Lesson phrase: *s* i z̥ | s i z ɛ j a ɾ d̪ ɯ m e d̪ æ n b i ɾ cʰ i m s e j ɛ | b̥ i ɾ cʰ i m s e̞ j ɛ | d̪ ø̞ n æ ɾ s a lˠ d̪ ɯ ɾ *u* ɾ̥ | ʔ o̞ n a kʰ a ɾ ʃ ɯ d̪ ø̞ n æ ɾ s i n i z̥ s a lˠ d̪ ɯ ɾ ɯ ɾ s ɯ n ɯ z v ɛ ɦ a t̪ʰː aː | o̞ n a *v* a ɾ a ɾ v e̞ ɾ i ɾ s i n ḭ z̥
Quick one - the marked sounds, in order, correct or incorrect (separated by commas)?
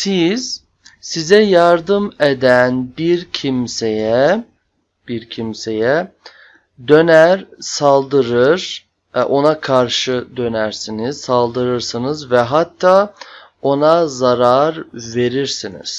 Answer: correct, incorrect, incorrect